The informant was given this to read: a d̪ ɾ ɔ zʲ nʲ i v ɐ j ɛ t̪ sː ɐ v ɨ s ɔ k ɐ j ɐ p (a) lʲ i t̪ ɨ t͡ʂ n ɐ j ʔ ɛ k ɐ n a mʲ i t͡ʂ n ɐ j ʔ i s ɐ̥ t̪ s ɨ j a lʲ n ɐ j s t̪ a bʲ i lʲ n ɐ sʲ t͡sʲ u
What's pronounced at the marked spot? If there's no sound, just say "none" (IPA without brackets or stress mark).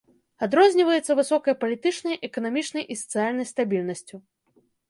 ɐ